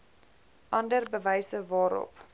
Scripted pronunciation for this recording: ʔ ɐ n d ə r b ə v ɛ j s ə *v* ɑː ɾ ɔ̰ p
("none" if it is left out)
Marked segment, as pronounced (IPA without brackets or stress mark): v